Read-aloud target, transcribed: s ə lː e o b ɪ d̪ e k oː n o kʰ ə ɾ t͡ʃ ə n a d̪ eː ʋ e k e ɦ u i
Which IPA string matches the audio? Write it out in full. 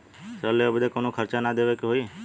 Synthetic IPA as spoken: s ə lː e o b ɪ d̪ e k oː n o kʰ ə ɾ t͡ʃ a n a d̪ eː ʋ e k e ɦ o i